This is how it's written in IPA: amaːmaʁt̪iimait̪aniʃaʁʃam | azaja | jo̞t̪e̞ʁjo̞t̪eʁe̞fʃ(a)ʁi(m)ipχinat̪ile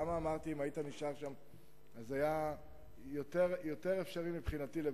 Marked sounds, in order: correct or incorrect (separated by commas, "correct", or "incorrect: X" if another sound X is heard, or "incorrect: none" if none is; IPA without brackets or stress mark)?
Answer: correct, correct